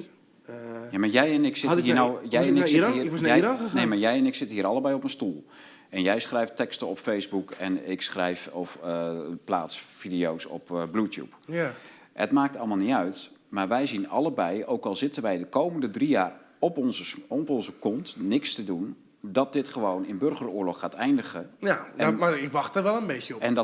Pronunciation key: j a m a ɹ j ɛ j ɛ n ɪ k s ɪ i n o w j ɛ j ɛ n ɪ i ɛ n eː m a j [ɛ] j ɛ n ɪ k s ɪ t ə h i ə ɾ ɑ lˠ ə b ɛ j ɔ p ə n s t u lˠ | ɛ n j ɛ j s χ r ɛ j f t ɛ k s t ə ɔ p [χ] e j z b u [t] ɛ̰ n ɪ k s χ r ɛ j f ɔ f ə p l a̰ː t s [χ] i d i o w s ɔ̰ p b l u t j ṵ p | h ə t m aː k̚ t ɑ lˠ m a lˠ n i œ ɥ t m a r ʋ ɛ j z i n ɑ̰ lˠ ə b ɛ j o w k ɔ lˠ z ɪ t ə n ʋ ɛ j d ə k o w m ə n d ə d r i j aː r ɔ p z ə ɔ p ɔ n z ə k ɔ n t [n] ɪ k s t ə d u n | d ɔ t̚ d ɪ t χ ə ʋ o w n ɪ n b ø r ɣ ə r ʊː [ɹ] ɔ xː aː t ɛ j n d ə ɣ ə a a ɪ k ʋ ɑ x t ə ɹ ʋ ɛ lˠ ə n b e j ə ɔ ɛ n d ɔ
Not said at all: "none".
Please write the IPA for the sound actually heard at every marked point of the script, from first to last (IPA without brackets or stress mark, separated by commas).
ɛ, f, k, f, n, l